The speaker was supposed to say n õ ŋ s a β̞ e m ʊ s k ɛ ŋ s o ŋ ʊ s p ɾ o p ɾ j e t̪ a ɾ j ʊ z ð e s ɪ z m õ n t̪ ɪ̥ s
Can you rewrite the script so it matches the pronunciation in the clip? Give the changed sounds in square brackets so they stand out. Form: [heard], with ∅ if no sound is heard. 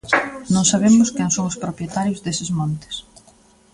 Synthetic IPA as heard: n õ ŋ s a β̞ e m ʊ s k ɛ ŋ s o ŋ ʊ s p ɾ o p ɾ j e t̪ a ɾ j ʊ z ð e s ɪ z m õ n t̪ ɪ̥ s